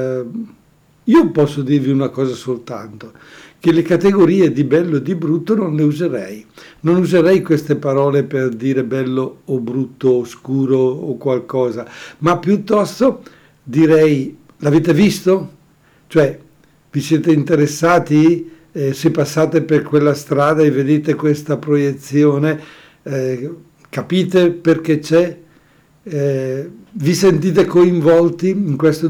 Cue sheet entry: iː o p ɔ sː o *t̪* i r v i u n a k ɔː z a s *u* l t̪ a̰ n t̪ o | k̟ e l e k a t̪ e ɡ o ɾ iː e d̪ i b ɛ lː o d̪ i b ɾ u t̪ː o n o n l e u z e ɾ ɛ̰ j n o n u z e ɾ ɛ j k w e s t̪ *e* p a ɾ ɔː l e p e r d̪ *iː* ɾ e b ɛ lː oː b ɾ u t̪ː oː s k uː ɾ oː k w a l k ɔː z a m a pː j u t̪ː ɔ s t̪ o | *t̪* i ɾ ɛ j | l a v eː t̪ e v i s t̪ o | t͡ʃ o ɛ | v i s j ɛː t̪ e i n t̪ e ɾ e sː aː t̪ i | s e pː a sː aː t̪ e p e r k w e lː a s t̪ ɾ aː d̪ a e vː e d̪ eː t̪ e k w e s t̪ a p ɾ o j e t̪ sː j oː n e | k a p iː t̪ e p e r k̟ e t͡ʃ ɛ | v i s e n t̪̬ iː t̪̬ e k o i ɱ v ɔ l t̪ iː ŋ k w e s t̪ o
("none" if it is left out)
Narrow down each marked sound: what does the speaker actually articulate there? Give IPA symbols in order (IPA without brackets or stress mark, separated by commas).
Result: d̪, o, e, iː, d̪